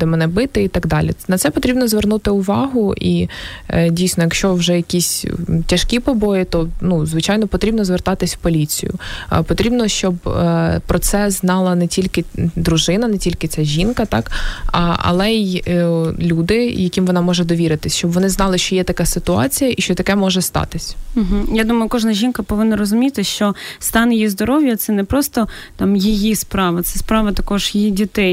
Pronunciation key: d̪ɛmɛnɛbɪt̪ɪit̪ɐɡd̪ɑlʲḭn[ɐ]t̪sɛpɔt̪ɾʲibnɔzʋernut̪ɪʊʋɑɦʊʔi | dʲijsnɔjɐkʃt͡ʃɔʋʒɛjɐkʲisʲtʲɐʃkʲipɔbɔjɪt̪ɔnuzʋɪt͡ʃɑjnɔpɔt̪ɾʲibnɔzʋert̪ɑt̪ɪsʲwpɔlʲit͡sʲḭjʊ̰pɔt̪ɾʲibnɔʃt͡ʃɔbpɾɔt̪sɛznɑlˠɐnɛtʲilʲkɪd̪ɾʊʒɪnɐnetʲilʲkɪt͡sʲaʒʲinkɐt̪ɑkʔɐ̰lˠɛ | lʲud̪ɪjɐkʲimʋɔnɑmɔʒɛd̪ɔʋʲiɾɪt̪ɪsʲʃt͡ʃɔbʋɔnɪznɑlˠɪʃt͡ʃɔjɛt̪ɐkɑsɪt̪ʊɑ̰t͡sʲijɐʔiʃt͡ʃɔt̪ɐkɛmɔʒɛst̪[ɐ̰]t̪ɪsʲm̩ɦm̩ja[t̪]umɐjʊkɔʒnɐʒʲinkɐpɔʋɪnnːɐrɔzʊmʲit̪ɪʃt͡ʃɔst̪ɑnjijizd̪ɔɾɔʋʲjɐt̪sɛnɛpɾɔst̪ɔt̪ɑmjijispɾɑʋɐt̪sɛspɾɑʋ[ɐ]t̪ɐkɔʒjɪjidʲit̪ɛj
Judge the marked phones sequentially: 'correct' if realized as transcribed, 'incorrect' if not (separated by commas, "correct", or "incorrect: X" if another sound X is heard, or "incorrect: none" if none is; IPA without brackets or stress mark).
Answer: correct, incorrect: ɑ̰, incorrect: d̪, correct